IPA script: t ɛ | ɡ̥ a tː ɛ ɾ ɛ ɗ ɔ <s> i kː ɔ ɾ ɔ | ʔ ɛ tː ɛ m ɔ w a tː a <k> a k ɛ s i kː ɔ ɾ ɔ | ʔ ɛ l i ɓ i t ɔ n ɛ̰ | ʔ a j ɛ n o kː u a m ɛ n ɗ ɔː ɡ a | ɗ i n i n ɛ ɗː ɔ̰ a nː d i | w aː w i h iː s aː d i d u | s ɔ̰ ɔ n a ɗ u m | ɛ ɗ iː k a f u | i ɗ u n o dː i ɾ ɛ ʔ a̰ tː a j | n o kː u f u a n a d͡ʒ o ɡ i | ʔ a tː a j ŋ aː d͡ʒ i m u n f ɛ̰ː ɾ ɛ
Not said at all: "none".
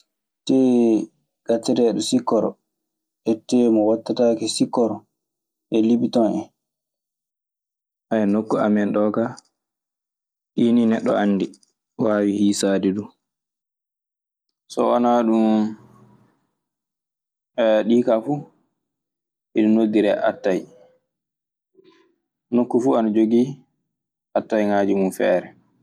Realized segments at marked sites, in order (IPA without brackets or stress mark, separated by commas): s, t